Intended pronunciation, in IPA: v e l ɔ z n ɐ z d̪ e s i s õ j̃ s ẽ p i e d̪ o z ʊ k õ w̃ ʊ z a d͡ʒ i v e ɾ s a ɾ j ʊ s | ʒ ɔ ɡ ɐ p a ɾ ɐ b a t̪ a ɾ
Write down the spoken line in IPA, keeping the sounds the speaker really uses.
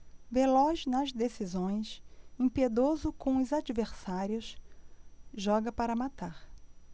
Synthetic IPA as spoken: v e l ɔ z n ɐ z d̪ e s i z õ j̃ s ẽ p i e d̪ o z ʊ k õ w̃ ʊ z a d͡ʒ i v e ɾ s a ɾ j ʊ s | ʒ ɔ ɡ ɐ p a ɾ ɐ m a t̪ a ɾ

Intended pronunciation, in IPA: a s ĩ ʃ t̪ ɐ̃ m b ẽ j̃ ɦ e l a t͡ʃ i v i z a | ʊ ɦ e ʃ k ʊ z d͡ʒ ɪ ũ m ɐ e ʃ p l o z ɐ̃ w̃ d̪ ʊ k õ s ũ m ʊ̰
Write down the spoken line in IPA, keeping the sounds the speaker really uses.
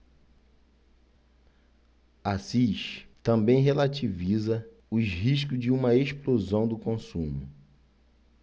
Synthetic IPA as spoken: a s i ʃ t̪ ɐ̃ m b ẽ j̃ ɦ e l a t͡ʃ i v i z ɐ | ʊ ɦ i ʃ k ʊ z d͡ʒ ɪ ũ m ɐ e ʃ p l o z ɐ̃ w̃ d̪ ʊ k õ s ũ m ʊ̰

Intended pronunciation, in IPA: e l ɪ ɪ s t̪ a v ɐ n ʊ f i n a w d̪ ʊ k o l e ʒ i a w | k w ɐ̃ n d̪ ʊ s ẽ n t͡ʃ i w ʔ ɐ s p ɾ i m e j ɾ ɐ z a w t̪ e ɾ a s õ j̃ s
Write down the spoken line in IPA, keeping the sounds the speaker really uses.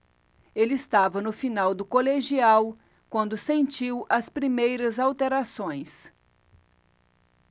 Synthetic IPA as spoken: e l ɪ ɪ s t̪ a v ɐ n ʊ f i n a w d̪ ʊ k o l e ʒ i a w | k w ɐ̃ n d̪ ʊ s ẽ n t͡ʃ i w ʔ ɐ s p ɾ i m e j ɾ ɐ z a w t̪ e ɾ a s õ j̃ s

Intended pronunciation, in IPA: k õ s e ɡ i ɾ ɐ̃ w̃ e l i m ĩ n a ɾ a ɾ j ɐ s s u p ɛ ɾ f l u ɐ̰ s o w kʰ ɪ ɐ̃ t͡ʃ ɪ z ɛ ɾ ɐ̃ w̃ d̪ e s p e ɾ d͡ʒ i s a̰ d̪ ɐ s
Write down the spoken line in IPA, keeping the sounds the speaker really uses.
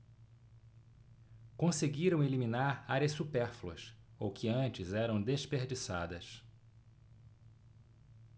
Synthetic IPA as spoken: k õ s e ɡ i ɾ ɐ̃ w̃ e l i m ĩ n a ɾ a ɾ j ɐ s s u p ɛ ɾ f l u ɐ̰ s o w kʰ ɪ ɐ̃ t͡ʃ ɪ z ɛ ɾ ɐ̃ w̃ d̪ e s p e ɾ d͡ʒ i s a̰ d̪ ɐ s

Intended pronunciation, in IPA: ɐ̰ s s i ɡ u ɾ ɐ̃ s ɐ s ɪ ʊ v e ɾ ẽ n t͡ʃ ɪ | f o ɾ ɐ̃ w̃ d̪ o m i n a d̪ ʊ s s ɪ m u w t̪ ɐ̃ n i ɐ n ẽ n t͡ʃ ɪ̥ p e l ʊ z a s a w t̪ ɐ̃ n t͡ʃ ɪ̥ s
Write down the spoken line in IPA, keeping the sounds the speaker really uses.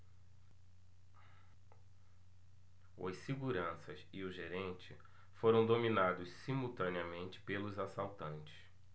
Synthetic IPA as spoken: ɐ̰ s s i ɡ u ɾ ɐ̃ s ɐ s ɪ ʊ ʒ e ɾ ẽ n t͡ʃ ɪ | f o ɾ ɐ̃ w̃ d̪ o m i n a d̪ ʊ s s i m u w t̪ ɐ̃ n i ɐ m ẽ n t͡ʃ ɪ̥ p e l ʊ z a s a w t̪ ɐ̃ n t͡ʃ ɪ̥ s

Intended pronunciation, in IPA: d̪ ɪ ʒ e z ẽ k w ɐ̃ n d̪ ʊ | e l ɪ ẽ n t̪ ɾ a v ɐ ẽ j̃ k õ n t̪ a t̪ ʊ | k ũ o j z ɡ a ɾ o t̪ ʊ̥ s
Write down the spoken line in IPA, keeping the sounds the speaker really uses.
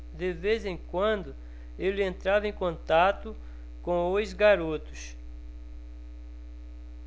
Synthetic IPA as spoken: d̪ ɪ v e z ẽ k w ɐ̃ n d̪ ʊ | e l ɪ ẽ n t̪ ɾ a v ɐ ẽ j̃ k õ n t̪ a t̪ ʊ | k õ o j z ɡ a ɾ o t̪ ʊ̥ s

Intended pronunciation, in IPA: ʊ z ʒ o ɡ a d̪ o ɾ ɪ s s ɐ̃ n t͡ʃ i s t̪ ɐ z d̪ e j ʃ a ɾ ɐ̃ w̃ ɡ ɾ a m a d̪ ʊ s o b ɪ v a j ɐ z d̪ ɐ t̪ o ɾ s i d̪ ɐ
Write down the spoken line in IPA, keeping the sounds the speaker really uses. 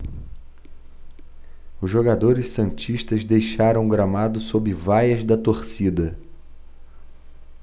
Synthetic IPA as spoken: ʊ z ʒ o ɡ a d̪ o ɾ ɪ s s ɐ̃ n t͡ʃ i ʃ t̪ ɐ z d̪ e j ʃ a ɾ ɐ̃ w̃ ɡ ɾ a m a d̪ ʊ s o b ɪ v a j ɐ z d̪ ɐ t̪ o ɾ s i d̪ ɐ

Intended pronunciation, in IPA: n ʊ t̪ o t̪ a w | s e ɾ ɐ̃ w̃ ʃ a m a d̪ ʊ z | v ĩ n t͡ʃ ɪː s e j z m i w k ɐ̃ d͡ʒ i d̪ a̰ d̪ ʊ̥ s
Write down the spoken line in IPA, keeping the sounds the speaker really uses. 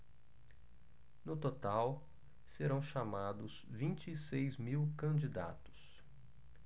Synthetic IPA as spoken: n ʊ t̪ o t̪ a w | s e ɾ ɐ̃ w̃ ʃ a m a d̪ ʊ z | v ĩ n t͡ʃ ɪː s e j z m i w k ɐ̃ d͡ʒ i d̪ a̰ t̪ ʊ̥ s

